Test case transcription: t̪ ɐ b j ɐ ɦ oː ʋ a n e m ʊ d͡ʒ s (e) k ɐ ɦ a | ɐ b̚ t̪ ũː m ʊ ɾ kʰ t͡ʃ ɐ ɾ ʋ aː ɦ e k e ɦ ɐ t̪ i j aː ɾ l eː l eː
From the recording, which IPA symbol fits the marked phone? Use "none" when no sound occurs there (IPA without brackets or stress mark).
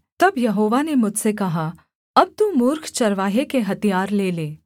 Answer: e